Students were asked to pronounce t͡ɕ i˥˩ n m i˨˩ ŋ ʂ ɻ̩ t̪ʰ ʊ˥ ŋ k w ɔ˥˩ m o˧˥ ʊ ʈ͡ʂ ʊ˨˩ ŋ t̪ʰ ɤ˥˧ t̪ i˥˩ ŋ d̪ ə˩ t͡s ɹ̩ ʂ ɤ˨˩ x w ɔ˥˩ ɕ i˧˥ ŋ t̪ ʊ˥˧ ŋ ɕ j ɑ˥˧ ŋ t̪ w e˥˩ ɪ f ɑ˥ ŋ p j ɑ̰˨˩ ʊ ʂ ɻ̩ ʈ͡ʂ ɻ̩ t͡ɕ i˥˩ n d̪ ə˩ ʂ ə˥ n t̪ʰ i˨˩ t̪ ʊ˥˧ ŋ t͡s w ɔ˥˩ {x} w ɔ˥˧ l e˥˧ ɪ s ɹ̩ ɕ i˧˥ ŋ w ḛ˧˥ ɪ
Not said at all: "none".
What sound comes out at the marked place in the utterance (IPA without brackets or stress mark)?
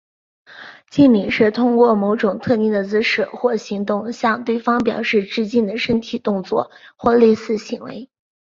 x